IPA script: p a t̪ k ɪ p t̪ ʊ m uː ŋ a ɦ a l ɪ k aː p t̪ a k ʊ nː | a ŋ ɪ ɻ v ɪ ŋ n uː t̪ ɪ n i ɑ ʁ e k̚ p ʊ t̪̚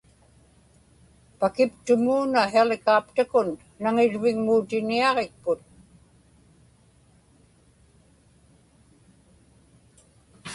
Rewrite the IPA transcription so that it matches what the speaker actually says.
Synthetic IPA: p a k ɪ p t̪ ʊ m uː n a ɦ e l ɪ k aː p t̪ a k ʊ nː | a ŋ ɪ ɻ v ɪ ŋ m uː t̪ ɪ n i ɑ ʁ e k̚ p ʊ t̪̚